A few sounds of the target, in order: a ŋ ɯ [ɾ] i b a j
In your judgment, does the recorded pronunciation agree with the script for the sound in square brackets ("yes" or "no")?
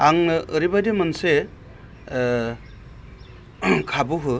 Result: yes